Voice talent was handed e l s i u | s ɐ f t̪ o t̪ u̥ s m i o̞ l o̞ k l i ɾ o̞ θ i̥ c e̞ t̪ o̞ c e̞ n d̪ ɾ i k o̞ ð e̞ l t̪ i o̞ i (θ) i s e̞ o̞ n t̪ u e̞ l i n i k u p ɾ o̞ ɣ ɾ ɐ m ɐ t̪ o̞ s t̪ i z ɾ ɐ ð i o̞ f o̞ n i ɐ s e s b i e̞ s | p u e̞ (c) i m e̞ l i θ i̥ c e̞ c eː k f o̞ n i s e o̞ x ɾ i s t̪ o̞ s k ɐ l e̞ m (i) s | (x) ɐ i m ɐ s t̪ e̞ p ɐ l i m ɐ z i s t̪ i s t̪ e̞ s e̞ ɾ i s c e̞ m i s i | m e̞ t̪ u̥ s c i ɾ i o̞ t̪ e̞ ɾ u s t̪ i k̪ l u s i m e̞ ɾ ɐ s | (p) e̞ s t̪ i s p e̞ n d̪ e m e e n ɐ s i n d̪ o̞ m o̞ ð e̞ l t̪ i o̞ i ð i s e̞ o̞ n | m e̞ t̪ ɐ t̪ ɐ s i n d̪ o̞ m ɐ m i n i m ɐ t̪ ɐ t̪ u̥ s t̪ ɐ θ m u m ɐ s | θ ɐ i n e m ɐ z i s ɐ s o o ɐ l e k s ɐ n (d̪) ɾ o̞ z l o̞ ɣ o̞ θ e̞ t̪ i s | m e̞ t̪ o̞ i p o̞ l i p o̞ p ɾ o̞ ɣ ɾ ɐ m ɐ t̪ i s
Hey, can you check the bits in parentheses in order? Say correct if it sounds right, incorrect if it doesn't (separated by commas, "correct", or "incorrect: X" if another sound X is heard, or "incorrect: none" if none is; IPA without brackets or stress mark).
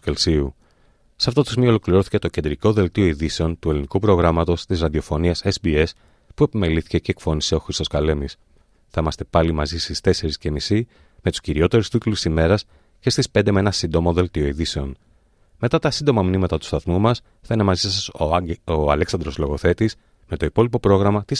incorrect: ð, incorrect: p, correct, incorrect: θ, incorrect: c, correct